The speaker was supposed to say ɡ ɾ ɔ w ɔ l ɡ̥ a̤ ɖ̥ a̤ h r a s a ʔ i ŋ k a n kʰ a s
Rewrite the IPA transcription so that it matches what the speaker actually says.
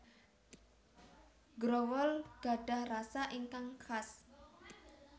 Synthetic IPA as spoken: ɡ ɾ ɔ w ɔ l ɡ̥ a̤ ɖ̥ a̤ h r a s a ʔ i ŋ k a ŋ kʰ a s